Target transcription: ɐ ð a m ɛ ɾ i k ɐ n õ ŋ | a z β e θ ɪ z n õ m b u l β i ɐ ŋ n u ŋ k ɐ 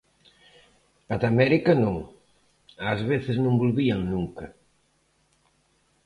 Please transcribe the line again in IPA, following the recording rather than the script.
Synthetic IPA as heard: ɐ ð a m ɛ ɾ i k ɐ n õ ŋ | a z β e θ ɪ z n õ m b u l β i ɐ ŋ n u ŋ k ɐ